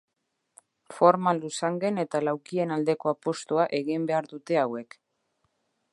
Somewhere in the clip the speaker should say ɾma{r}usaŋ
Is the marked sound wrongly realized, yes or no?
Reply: yes